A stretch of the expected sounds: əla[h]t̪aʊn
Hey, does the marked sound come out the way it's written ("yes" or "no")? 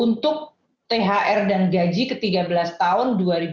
no